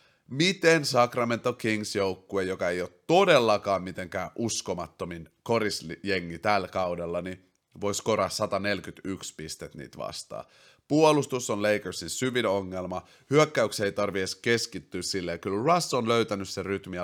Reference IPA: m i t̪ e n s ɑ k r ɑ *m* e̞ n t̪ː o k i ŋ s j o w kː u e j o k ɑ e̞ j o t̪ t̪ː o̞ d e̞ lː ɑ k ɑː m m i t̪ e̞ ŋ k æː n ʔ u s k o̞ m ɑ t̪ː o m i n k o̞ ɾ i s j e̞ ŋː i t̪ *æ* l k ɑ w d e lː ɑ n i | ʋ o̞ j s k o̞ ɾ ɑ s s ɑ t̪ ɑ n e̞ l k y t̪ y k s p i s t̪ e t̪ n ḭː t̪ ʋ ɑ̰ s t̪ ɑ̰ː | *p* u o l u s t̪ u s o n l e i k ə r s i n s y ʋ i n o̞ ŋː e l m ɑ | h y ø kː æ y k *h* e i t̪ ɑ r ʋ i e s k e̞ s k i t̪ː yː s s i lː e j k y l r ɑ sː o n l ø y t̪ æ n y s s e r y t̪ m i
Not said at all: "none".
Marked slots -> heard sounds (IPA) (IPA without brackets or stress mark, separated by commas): m, æ, p, s